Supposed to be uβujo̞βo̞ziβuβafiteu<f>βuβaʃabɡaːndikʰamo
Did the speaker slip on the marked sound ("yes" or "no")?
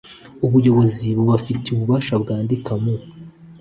yes